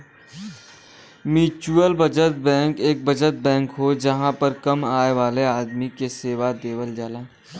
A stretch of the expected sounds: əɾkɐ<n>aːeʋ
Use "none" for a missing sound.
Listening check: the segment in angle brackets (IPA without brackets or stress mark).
m